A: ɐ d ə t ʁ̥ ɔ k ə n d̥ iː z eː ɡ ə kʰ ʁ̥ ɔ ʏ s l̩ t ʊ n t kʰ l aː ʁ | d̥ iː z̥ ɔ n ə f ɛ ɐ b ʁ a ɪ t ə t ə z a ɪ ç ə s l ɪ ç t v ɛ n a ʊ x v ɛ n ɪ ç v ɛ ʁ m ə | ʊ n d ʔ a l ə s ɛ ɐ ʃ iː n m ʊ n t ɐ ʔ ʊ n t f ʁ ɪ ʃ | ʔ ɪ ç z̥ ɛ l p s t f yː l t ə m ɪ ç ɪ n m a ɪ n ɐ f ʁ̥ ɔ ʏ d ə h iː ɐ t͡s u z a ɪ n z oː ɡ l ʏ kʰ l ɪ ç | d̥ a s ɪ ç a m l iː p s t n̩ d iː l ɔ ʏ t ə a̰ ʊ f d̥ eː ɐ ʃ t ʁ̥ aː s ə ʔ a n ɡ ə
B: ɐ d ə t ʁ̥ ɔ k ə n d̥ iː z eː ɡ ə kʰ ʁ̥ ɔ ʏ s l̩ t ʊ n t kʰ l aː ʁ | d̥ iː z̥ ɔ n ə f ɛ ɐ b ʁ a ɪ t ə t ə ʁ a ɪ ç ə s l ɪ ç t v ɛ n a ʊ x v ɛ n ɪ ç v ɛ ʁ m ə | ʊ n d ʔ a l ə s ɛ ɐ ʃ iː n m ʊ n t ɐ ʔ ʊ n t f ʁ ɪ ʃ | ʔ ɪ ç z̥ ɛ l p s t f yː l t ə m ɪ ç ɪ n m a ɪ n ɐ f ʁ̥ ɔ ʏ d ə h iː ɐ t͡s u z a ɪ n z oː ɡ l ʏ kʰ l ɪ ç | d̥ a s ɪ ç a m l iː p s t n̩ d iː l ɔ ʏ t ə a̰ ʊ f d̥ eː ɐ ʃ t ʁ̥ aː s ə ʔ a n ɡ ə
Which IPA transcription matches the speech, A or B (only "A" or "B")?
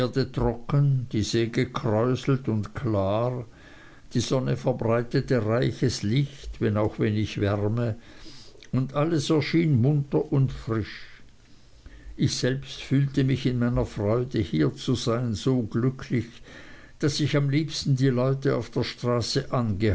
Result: B